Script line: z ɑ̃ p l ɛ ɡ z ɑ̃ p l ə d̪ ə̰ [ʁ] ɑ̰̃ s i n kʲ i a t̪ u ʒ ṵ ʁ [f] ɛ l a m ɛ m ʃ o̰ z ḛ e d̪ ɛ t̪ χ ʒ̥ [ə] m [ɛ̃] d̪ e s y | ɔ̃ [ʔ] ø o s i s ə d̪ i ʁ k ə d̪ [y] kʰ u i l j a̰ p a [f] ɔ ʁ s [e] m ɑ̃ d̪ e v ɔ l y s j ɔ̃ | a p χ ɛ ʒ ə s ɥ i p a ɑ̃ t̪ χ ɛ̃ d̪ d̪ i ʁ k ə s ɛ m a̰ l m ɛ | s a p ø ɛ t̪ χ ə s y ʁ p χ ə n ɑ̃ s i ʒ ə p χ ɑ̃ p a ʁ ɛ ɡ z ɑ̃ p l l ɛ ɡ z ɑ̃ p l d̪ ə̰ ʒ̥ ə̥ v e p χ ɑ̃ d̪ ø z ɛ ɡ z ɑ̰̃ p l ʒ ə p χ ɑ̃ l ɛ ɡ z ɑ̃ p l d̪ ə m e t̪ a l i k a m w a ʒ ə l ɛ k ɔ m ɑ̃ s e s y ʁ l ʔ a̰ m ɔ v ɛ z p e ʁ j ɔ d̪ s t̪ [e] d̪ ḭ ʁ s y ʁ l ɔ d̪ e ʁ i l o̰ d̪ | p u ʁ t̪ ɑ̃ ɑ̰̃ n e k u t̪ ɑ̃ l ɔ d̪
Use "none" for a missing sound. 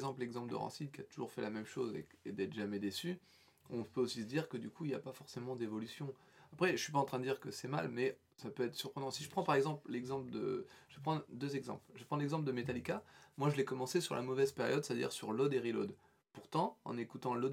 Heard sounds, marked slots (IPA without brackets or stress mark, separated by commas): ʁ, f, a, ɛ, p, y, f, e, a